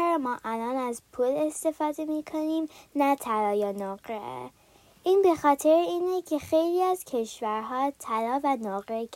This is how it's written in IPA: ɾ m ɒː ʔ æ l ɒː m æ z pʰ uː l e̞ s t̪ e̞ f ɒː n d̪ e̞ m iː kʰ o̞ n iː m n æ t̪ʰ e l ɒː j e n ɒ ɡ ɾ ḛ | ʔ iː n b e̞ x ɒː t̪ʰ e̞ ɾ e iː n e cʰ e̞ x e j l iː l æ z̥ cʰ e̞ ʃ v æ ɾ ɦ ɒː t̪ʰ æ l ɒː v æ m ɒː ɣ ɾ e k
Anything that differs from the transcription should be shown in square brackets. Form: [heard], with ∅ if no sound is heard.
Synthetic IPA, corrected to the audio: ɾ m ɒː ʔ æ l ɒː [n] æ z pʰ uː l e̞ s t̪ e̞ f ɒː [∅] d̪ e̞ m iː kʰ o̞ n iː m n æ t̪ʰ [æ] l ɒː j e n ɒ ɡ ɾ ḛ | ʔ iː n b e̞ x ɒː t̪ʰ e̞ ɾ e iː n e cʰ e̞ x e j l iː [∅] æ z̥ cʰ e̞ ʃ v æ ɾ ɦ ɒː t̪ʰ æ l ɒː v æ [n] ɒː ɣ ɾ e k